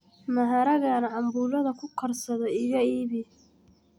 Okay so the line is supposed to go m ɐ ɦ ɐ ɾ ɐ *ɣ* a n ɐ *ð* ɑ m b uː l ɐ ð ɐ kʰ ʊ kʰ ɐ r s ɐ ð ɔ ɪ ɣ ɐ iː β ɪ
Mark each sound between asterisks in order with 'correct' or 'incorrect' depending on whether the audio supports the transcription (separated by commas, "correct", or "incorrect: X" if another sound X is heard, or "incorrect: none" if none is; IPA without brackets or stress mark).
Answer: correct, incorrect: ʕ